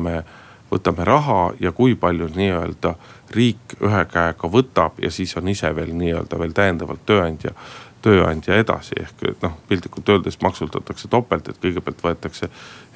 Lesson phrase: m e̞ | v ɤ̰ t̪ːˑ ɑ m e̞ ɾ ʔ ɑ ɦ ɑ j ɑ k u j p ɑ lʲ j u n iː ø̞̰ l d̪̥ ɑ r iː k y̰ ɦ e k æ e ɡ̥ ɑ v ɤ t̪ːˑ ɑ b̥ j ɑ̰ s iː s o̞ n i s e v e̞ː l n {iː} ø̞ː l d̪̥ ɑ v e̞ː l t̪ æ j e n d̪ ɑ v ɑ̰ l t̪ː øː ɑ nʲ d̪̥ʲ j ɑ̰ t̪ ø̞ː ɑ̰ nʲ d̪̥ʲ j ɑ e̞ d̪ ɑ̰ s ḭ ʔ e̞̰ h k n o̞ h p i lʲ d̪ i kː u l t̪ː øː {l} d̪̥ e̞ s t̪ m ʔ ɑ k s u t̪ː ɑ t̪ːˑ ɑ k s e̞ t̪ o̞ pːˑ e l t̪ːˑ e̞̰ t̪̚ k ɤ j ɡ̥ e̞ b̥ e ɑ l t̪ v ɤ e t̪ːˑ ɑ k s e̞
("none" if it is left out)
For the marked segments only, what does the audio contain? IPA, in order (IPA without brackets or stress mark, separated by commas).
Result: iː, l